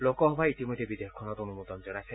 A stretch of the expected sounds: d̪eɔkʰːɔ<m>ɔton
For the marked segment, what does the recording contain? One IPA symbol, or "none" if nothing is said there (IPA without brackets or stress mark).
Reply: n